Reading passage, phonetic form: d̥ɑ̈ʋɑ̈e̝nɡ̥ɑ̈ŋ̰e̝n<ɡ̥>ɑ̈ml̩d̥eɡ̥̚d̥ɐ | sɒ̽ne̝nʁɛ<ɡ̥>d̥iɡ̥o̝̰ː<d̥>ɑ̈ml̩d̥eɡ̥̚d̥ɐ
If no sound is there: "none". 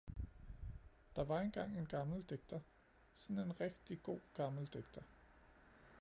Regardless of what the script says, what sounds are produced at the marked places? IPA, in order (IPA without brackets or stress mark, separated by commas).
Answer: ɡ̥, ɡ̥, ɡ̥